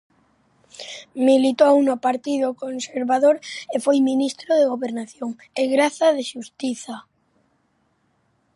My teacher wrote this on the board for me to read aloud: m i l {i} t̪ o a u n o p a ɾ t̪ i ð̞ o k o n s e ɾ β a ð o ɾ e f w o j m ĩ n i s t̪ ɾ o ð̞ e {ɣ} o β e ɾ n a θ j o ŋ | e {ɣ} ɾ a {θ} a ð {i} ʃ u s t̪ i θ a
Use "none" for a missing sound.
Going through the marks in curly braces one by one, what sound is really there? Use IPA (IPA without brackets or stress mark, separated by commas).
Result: i, ɣ, ɣ, θ, e